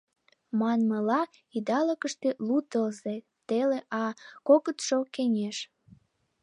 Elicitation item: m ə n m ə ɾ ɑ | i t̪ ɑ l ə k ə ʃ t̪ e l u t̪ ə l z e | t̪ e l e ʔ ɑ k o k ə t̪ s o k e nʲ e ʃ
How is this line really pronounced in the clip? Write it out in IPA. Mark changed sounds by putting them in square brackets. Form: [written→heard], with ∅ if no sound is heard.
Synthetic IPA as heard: m [ə→ɑ] n m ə [ɾ→l] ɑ | i [t̪→d̪] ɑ l ə k ə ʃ t̪ e l u t̪ ə l z e | t̪ e l e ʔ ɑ k o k ə t̪ [s→ʃ] o k e nʲ e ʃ